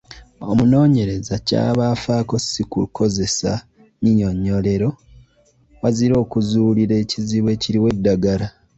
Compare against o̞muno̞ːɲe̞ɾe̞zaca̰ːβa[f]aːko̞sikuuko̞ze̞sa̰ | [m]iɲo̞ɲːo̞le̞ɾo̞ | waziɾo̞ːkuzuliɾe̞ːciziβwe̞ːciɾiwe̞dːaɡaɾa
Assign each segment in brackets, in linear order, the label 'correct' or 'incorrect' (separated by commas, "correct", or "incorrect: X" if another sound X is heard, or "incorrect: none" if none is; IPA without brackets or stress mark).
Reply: correct, incorrect: ɲ